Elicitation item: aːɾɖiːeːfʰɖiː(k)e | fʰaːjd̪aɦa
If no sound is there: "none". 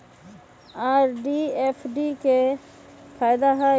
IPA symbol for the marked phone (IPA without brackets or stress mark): k